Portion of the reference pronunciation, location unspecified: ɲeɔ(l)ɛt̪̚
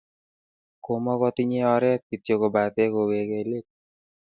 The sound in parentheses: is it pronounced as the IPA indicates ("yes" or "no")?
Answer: no